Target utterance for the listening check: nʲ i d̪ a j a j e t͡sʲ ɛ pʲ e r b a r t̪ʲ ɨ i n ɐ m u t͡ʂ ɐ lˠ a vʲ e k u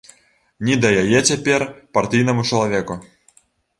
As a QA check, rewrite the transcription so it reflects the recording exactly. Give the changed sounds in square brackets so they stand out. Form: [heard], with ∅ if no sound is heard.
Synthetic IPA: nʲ i d̪ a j a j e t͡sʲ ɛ pʲ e r [p] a r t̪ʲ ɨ [j] n ɐ m u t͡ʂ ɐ lˠ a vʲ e k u